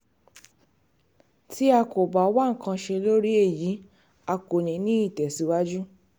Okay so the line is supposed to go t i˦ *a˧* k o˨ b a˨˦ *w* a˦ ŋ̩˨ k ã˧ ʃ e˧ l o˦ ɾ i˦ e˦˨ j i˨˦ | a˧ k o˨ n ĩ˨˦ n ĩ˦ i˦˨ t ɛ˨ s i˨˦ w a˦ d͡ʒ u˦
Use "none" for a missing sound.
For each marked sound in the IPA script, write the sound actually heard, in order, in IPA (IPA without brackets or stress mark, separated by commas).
a˧, w